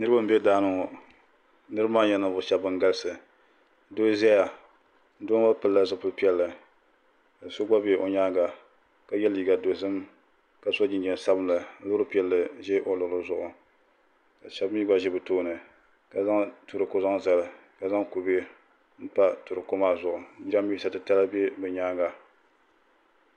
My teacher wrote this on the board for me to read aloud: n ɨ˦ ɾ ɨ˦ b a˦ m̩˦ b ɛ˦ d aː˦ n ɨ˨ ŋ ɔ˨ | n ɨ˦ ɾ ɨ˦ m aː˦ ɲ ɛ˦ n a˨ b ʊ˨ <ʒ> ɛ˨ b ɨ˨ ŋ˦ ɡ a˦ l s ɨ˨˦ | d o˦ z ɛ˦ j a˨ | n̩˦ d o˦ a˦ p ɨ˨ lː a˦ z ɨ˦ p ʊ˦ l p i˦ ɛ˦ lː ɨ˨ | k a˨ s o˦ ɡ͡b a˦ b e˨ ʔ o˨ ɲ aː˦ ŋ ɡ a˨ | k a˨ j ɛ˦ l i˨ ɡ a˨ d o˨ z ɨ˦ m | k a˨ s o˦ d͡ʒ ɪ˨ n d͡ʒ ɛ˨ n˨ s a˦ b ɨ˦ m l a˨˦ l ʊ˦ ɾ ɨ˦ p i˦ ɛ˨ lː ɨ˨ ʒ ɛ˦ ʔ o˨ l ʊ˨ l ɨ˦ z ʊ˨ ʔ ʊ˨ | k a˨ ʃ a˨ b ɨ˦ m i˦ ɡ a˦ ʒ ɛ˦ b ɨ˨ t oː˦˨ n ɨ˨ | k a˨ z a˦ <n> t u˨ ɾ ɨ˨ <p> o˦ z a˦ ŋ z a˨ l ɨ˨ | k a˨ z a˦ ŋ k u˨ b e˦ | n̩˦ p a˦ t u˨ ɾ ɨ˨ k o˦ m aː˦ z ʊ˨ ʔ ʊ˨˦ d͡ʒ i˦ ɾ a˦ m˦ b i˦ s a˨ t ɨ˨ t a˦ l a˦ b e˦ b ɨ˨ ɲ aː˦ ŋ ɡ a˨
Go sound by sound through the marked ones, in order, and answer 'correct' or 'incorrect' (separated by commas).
incorrect, incorrect, incorrect